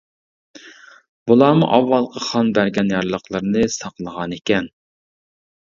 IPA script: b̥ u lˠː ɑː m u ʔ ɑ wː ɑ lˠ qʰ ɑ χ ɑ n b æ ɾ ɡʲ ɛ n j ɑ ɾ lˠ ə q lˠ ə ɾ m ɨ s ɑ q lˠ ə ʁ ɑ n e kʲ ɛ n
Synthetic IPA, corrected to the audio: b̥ u lˠ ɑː m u ʔ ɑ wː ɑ lˠ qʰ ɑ χ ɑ n b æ ɾ ɡʲ ɛ n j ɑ ɾ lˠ ə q lˠ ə ɾ n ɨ s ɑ q lˠ ə ʁ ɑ n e kʲ ɛ n